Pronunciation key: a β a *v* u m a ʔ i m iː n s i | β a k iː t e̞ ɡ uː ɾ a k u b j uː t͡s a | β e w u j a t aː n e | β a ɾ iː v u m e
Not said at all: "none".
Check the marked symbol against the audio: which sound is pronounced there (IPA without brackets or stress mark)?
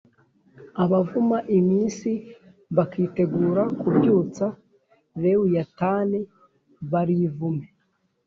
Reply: v